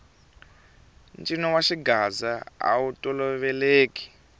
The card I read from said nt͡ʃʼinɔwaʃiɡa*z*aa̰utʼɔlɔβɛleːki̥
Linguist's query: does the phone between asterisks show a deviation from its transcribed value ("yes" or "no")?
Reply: no